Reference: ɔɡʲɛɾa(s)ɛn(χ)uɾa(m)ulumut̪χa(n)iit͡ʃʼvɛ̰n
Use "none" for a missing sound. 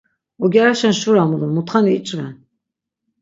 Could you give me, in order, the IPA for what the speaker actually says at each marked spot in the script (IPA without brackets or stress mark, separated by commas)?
ʃ, ʃ, m, n